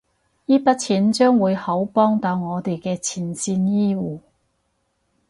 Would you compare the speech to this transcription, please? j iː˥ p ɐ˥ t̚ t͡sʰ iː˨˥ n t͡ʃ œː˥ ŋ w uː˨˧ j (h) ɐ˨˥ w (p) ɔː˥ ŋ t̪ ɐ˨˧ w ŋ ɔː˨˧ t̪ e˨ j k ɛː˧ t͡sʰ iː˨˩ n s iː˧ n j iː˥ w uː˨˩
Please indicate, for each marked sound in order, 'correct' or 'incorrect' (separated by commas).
correct, correct